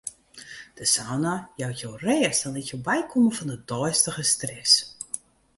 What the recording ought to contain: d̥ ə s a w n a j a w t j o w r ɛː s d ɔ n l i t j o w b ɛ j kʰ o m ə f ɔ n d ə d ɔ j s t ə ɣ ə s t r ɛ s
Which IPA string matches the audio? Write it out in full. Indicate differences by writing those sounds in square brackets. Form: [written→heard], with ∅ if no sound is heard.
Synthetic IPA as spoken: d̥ ə s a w n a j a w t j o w r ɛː s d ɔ n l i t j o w b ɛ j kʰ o m ə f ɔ n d ə d ɔ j s t ə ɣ ə s t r ɛ s